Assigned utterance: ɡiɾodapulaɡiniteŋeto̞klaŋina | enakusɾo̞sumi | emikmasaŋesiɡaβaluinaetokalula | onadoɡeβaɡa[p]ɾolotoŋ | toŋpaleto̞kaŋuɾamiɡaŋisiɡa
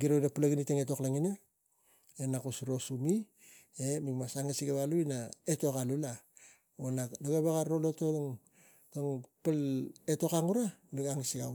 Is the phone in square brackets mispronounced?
yes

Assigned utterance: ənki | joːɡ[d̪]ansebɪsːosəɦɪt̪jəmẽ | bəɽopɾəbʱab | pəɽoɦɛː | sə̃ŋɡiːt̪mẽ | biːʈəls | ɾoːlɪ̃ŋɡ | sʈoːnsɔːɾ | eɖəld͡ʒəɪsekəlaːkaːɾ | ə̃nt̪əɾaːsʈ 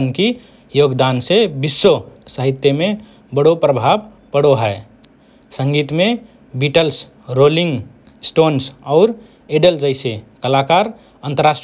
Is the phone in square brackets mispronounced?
no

